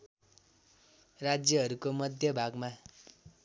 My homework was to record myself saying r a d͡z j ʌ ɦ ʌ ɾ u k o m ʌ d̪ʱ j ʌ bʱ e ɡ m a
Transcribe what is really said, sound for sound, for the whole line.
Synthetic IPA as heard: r a d͡z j ʌ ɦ ʌ ɾ u k o m ʌ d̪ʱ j ʌ bʱ a ɡ m a

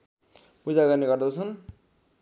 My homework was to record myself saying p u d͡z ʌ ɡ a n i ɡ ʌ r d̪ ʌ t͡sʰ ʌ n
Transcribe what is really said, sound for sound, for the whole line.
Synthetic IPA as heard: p u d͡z a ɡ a n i ɡ ʌ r d̪ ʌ t͡sʰ ʌ n

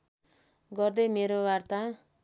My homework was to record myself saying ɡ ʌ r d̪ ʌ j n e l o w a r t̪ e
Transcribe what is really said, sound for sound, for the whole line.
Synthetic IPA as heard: ɡ ʌ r d̪ ʌ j m e ɾ o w a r t̪ a

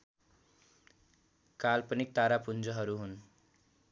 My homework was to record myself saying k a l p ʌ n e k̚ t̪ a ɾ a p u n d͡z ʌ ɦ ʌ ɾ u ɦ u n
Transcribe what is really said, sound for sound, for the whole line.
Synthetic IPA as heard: k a l p ʌ n i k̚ t̪ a ɾ a p u n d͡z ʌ ɦ ʌ ɾ u ɦ u n

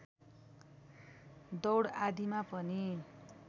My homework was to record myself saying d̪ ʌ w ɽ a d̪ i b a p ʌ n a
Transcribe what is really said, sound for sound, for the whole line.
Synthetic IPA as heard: d̪ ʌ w ɽ a d̪ i m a p ʌ n i

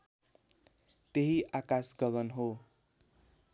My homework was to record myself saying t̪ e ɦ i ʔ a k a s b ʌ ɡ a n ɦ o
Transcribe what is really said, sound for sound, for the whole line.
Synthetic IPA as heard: t̪ e ɦ i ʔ a k a s ɡ ʌ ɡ ʌ n ɦ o

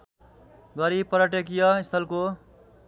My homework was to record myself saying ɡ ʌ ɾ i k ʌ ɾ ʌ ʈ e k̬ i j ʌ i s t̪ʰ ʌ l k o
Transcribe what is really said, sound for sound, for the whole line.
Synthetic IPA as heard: ɡ ʌ ɾ i p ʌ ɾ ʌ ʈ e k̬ i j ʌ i s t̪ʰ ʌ l k o

